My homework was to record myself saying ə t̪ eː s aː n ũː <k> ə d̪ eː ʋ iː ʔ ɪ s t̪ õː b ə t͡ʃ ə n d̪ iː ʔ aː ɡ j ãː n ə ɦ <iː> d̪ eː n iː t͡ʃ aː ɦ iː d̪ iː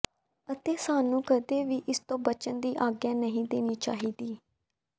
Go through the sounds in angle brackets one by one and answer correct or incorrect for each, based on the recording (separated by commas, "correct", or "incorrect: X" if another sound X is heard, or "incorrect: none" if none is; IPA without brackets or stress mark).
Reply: correct, incorrect: ĩː